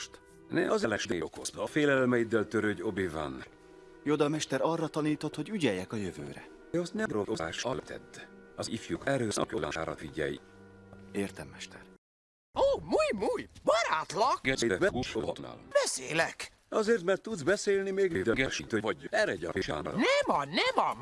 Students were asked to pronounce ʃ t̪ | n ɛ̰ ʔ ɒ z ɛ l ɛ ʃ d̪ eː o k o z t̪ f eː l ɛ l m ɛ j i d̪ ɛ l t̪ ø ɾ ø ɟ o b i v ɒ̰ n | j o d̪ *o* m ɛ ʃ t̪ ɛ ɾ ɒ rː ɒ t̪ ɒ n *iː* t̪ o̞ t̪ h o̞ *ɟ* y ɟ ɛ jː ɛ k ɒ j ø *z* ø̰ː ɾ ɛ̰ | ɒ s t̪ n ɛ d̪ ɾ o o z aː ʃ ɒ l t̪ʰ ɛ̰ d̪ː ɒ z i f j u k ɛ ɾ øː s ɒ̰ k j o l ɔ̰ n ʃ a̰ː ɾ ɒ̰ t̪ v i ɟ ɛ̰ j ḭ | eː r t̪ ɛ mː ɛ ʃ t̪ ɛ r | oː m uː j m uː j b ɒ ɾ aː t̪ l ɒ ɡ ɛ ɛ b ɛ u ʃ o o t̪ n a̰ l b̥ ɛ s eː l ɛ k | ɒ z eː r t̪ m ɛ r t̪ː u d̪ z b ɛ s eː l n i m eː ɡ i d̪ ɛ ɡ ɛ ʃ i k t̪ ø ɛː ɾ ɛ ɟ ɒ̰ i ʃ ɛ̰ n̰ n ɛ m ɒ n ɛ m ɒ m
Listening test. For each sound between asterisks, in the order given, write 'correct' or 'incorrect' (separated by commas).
incorrect, correct, correct, incorrect